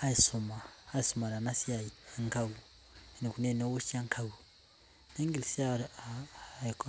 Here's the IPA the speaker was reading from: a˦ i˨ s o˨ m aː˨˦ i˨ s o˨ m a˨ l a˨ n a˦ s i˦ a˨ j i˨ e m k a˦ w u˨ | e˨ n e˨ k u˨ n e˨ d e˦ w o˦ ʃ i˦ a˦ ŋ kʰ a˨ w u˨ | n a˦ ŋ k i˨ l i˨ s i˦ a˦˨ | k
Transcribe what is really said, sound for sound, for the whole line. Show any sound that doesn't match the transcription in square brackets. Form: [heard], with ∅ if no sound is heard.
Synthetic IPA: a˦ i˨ s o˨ m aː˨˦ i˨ s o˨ m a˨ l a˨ n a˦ s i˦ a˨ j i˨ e [ŋ] k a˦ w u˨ | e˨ n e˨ k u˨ n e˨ [n] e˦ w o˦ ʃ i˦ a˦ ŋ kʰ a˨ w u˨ | n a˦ ŋ [ɡ] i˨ l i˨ s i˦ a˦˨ | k